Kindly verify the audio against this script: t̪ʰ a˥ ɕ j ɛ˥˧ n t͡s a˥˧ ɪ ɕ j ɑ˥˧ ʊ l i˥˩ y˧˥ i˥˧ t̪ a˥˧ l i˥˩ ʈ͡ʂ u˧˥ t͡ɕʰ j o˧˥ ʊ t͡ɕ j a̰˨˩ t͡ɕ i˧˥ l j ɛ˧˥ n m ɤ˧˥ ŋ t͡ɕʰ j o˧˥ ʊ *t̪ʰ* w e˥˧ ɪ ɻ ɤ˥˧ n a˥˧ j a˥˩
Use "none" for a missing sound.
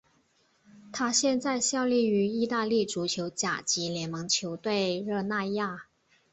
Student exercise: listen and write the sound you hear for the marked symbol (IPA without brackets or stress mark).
t̪